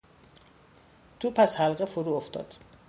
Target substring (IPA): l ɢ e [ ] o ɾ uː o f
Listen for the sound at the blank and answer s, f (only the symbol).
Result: f